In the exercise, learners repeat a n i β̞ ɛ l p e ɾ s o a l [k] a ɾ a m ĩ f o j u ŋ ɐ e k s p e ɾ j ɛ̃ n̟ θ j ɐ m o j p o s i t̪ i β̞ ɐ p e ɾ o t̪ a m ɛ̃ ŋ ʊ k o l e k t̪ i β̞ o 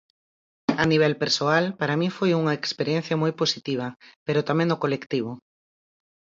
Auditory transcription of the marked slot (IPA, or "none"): p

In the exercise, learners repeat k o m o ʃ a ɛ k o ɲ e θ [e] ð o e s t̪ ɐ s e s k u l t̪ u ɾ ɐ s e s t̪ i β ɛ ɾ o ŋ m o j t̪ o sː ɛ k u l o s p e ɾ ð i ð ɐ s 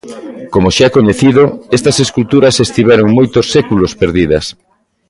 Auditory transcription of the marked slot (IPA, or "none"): i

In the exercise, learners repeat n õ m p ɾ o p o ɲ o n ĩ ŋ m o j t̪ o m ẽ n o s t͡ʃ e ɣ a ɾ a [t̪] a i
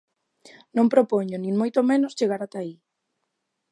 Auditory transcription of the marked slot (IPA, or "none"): t̪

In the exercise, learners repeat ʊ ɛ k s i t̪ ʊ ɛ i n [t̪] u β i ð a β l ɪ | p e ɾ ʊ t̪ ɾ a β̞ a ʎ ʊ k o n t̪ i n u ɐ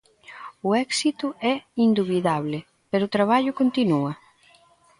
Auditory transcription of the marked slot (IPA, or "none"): d̪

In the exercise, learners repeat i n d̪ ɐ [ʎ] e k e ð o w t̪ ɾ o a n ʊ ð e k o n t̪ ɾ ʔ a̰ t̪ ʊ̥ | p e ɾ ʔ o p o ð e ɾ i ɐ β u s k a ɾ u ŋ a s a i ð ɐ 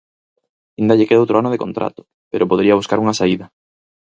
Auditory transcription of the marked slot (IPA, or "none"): ʎ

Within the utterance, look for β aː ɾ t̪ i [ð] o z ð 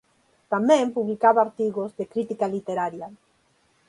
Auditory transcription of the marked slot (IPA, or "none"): ɣ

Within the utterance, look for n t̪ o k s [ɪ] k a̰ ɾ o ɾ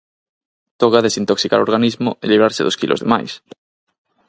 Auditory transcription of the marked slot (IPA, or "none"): i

